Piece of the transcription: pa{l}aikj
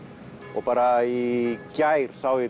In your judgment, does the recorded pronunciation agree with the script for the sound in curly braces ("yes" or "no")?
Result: no